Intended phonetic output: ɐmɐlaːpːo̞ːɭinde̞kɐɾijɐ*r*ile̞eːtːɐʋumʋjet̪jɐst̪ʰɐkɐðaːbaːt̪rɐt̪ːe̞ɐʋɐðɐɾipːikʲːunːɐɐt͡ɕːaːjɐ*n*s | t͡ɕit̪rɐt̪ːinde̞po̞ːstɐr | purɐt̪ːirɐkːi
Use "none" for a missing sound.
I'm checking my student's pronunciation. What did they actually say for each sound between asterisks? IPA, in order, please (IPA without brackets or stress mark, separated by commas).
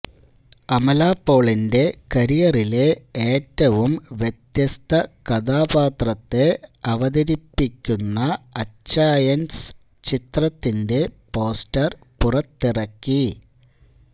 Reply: r, n